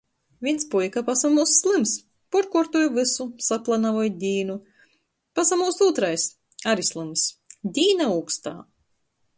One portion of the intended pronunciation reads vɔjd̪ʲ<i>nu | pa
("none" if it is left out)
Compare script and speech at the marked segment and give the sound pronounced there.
iː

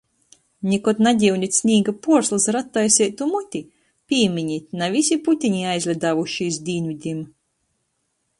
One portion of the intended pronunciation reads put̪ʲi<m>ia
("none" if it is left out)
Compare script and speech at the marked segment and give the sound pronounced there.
ɲ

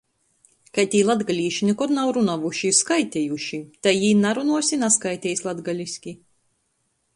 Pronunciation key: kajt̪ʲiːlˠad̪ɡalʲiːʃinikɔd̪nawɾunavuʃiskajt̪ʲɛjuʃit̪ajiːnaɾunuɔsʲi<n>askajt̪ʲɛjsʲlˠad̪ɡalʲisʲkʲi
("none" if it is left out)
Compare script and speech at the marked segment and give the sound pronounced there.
n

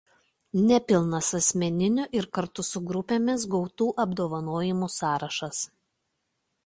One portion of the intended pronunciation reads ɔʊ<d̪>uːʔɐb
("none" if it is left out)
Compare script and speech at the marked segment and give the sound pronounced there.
t̪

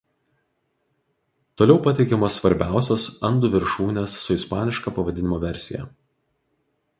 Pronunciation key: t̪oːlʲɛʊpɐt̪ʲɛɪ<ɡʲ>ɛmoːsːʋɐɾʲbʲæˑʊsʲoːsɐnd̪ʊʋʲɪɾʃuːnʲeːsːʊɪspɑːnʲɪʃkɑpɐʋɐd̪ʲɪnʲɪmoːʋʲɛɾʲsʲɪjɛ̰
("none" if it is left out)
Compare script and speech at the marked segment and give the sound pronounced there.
kʲ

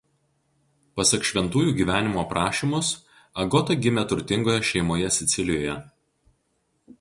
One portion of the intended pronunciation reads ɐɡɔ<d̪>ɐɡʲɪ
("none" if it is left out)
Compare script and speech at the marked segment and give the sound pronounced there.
t̪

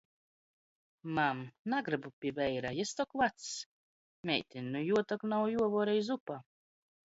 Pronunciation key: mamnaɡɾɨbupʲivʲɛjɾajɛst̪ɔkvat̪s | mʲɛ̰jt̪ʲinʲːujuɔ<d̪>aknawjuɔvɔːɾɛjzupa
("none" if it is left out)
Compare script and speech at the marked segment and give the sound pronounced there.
t̪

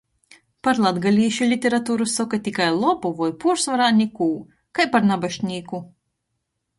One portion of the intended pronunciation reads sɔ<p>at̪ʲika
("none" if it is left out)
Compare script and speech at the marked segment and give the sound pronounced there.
k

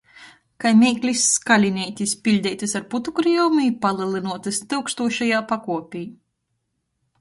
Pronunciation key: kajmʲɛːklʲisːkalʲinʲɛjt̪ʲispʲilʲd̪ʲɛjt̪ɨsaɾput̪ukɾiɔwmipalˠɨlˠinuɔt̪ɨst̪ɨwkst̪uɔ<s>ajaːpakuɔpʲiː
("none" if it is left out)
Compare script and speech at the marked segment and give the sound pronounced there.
ʃ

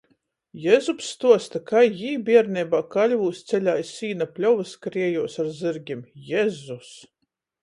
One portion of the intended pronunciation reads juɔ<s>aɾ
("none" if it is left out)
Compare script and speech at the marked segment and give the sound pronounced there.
s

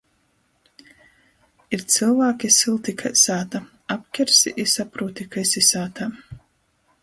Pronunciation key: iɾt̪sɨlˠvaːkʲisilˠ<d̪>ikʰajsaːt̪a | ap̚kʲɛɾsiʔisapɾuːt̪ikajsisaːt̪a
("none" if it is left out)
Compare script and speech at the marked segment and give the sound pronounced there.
t̪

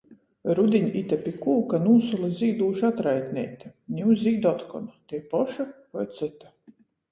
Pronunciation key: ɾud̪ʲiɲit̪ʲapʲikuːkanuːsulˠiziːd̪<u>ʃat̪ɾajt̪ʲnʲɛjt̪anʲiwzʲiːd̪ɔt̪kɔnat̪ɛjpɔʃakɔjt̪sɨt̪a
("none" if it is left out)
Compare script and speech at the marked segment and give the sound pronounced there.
uː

